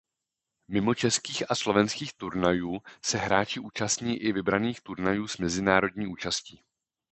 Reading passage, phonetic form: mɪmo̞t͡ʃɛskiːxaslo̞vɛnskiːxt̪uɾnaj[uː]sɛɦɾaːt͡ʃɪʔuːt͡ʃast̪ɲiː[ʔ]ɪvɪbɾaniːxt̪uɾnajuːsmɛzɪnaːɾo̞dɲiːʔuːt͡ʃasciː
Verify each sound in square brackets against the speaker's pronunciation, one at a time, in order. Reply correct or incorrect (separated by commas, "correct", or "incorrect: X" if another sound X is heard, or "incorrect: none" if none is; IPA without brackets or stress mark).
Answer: correct, correct